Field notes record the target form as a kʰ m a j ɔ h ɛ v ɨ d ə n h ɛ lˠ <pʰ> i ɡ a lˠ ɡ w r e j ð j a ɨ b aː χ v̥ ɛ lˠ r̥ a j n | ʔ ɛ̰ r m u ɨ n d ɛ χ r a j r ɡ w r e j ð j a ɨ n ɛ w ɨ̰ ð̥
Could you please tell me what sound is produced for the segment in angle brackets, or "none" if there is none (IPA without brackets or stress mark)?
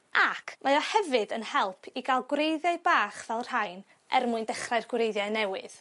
pʰ